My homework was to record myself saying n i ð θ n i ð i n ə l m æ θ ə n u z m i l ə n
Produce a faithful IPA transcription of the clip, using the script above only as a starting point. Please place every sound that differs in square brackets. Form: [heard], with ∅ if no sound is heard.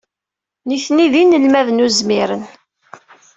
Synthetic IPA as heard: n i [∅] θ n i ð i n ə l m æ [ð] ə n u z m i [ɾ] ə n

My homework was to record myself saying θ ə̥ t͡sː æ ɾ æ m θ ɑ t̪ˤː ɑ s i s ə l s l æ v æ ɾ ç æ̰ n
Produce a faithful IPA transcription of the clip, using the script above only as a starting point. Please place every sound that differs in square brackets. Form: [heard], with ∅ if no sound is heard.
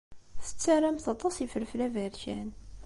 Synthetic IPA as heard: θ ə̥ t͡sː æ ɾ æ m θ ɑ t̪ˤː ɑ s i [f] ə l [f] l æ v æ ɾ ç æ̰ n

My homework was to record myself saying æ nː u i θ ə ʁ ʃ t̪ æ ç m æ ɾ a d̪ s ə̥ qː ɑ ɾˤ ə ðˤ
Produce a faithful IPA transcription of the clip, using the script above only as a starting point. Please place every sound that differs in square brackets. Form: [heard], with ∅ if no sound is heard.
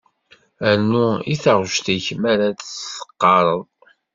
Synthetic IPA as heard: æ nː u i θ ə ʁ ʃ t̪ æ ç m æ ɾ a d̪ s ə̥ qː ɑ ɾˤ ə ðˤ

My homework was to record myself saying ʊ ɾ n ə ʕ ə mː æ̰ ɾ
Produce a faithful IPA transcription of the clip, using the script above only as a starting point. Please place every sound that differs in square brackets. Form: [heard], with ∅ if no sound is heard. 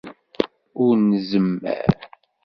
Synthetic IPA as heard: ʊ ɾ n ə [z] ə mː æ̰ ɾ

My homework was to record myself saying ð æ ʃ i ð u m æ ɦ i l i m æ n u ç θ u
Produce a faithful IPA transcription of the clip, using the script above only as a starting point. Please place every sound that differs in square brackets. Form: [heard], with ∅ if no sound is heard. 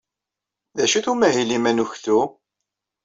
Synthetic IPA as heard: ð æ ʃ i [θ] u m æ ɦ i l i m æ n u ç θ u

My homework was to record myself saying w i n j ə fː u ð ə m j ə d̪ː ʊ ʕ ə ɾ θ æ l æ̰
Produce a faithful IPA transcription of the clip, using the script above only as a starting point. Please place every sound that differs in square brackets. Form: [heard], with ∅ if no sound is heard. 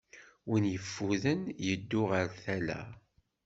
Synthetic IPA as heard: w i n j ə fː u ð ə [n] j ə d̪ː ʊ [ʁ] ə ɾ θ æ l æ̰

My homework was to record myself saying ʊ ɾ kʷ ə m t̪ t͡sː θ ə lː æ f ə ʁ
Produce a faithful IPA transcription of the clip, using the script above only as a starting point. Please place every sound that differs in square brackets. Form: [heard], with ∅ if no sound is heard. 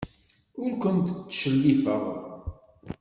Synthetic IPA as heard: ʊ ɾ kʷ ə [n] t̪ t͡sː [ʃ] ə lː [i] f ə ʁ

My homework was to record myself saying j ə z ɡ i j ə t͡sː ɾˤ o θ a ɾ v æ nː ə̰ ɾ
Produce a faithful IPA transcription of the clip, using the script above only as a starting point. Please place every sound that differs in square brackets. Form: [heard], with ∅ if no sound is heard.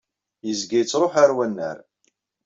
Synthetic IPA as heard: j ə z ɡ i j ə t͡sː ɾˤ o [ħ] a ɾ [w] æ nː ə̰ ɾ

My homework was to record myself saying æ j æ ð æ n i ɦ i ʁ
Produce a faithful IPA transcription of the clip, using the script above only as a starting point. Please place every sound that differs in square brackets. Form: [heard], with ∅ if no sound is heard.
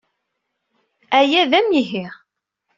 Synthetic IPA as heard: æ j æ ð æ [m] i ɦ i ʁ

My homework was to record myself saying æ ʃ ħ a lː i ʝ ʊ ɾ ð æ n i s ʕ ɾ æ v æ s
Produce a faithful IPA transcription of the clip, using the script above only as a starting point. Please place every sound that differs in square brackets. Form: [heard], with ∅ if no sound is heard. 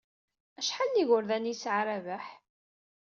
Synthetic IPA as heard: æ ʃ ħ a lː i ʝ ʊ ɾ ð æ n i s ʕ ɾ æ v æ [ħ]

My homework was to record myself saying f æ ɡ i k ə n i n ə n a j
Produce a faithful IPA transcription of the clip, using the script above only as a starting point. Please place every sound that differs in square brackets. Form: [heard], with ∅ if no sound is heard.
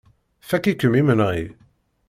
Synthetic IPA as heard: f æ [k] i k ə [m] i [m] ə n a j

